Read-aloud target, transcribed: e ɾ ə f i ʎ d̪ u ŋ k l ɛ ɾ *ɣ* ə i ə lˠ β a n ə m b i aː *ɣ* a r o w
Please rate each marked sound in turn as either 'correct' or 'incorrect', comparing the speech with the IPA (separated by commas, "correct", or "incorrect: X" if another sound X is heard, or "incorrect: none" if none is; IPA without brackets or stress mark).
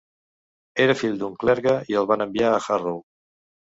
correct, incorrect: x